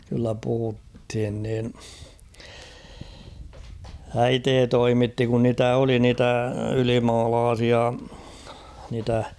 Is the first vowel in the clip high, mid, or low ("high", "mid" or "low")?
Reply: high